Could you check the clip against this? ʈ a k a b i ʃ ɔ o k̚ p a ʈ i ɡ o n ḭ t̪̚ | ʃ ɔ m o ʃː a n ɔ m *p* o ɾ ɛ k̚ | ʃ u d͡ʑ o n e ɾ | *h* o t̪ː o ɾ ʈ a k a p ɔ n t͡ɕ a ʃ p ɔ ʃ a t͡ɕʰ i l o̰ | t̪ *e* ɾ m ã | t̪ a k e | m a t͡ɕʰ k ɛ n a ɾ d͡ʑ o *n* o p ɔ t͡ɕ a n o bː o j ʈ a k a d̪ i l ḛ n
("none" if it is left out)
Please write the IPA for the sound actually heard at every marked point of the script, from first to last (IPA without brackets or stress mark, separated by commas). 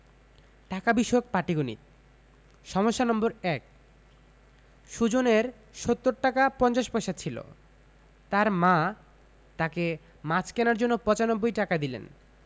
b, ʃ, a, nː